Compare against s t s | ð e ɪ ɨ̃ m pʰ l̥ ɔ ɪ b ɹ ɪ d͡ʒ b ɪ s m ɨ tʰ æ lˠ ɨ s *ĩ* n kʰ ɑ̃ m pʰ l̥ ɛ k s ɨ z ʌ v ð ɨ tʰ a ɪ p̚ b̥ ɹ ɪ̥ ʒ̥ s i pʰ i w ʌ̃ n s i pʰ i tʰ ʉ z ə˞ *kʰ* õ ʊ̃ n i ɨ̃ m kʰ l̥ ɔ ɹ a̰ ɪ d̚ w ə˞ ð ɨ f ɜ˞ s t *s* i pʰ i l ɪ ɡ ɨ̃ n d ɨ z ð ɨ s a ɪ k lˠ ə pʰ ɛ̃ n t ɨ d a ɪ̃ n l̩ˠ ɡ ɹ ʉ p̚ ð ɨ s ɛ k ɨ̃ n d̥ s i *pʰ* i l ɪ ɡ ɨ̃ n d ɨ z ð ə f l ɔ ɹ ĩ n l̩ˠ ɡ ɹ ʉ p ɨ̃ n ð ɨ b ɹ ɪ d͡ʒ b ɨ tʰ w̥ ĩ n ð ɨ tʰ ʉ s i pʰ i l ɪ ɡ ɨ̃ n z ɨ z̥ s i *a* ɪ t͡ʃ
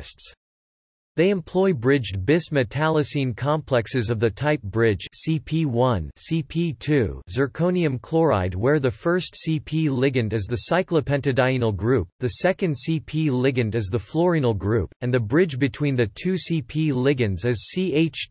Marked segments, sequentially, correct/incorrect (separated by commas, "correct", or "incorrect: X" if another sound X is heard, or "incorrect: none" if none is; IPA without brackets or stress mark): correct, correct, correct, correct, incorrect: e